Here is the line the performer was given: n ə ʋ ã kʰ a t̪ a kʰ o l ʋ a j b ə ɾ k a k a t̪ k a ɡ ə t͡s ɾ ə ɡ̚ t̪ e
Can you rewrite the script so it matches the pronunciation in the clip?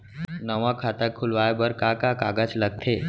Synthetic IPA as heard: n ə ʋ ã kʰ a t̪ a kʰ u l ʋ a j b ə ɾ k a k a k a ɡ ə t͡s l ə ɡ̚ t̪ʰ e